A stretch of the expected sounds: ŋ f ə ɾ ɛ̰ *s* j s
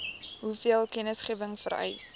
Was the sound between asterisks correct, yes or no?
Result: no